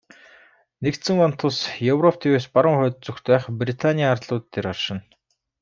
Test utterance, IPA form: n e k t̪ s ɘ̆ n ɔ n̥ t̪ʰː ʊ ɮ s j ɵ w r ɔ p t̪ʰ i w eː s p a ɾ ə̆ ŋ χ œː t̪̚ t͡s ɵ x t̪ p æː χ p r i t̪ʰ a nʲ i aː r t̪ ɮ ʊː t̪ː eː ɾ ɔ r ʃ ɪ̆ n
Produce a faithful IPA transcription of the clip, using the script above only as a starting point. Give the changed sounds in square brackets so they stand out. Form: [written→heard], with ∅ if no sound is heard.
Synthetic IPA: n e k t̪ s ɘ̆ [n→ŋ] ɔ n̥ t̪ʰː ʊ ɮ s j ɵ w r ɔ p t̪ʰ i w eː s p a ɾ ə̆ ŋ χ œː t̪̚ t͡s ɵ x t̪ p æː χ p r i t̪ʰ a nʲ i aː r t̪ ɮ ʊː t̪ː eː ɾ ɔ r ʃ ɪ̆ n